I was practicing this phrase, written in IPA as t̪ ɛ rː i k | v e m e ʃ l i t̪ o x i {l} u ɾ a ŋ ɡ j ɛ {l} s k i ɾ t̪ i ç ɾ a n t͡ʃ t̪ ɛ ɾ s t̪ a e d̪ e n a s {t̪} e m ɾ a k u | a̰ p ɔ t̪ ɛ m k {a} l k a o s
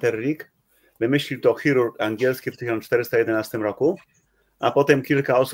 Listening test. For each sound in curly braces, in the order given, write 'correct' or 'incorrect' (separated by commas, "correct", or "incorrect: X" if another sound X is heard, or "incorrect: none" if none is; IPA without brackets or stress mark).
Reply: incorrect: ɾ, correct, correct, incorrect: i